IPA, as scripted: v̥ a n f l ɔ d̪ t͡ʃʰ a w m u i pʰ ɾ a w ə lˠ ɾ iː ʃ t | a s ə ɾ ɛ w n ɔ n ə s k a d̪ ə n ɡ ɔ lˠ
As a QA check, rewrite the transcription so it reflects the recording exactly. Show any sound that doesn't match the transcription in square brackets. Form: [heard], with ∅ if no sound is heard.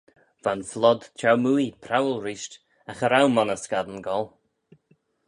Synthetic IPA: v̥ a n f l ɔ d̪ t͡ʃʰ a w m u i pʰ ɾ a w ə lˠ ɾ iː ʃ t | a [x] ə ɾ [a] w [m] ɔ n ə s k a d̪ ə n ɡ ɔ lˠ